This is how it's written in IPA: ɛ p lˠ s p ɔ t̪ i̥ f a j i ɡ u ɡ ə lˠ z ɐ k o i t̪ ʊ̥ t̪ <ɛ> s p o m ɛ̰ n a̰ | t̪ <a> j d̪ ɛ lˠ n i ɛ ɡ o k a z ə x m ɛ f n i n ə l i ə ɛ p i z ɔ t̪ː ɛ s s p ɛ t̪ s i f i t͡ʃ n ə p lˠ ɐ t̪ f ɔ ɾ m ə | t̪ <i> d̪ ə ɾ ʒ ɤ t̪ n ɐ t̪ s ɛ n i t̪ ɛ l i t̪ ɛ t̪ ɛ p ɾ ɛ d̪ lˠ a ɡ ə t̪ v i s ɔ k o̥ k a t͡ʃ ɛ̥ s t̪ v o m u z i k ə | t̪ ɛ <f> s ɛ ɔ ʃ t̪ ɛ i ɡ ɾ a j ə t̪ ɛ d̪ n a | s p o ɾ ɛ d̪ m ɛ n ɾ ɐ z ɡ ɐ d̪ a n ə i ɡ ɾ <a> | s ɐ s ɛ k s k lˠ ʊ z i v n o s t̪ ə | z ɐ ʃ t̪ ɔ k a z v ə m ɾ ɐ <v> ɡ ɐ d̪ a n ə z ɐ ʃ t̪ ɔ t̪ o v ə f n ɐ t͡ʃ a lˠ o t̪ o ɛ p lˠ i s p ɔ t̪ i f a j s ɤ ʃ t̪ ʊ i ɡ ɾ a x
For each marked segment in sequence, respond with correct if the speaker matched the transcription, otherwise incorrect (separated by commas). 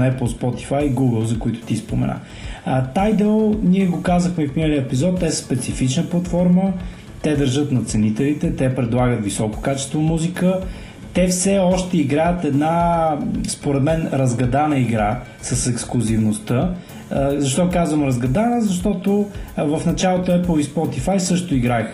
incorrect, correct, incorrect, correct, correct, incorrect